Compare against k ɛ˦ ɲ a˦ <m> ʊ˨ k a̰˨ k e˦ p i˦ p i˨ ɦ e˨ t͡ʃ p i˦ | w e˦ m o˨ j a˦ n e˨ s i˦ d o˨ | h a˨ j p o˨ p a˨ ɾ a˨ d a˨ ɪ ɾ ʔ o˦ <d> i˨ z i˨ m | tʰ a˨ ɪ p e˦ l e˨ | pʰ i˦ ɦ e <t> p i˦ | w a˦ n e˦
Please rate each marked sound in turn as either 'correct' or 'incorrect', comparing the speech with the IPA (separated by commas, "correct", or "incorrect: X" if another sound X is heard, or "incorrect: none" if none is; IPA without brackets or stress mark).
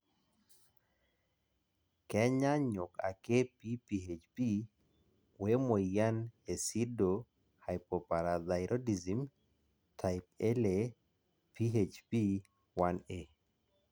incorrect: ɲ, correct, incorrect: t͡ʃ